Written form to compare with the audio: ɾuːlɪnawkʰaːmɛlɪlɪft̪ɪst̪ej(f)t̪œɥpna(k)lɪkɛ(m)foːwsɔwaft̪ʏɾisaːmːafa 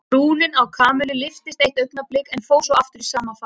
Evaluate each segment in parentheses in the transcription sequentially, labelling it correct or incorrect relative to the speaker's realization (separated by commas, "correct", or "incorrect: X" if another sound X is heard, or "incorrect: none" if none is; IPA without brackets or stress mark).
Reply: incorrect: h, incorrect: p, incorrect: n